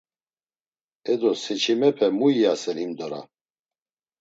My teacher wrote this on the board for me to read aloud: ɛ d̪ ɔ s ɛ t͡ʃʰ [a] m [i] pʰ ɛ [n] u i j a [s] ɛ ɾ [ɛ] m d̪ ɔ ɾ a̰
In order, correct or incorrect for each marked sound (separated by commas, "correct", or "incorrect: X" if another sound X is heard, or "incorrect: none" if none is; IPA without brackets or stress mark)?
incorrect: i, incorrect: ɛ, incorrect: m, correct, incorrect: i